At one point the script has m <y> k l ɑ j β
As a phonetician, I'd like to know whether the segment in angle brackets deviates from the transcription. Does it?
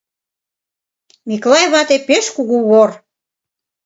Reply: yes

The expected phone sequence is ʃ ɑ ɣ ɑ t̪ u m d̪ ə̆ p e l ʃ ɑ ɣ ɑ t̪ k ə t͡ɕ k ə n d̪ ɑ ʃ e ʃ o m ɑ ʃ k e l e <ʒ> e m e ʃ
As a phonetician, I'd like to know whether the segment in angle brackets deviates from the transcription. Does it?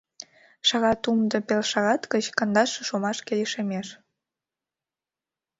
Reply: yes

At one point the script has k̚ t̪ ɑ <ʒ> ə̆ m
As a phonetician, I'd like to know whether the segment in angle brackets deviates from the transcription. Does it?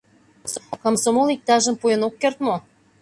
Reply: no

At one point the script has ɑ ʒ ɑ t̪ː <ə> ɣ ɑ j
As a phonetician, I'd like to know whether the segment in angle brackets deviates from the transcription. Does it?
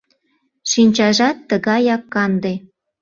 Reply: no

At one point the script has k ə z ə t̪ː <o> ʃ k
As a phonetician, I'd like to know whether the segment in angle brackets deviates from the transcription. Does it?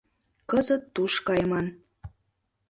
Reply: yes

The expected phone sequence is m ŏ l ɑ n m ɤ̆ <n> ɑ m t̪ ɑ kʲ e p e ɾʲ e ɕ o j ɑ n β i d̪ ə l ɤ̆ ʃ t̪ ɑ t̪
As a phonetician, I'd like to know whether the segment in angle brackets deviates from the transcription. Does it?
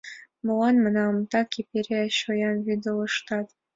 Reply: no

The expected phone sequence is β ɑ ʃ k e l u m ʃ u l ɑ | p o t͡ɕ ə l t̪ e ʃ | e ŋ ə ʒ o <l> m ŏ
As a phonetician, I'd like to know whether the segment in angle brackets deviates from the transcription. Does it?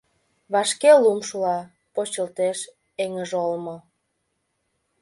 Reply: no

